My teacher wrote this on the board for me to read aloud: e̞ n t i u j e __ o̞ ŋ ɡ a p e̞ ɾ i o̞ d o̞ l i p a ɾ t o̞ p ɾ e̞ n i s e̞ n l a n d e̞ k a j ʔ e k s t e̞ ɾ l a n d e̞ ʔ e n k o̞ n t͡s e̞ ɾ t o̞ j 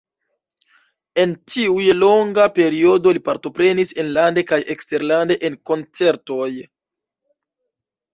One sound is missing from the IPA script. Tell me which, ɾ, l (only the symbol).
l